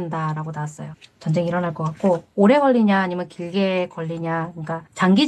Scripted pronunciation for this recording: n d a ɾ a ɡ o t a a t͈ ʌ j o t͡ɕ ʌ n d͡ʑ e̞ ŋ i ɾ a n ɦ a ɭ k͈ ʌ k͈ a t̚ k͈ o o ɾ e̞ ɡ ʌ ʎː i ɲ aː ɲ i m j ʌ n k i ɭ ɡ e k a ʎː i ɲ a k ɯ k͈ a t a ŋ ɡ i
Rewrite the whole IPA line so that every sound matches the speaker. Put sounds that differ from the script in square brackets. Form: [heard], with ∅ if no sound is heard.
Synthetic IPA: n d a ɾ a ɡ o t a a [s͈] ʌ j o t͡ɕ ʌ n d͡ʑ e̞ ŋ i ɾ [ʌ] n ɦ a ɭ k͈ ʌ k͈ a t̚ k͈ o o ɾ e̞ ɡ ʌ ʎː i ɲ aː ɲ i m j ʌ n k i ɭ ɡ e k [ʌ] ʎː i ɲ a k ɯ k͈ a [t͡ɕ] a ŋ ɡ i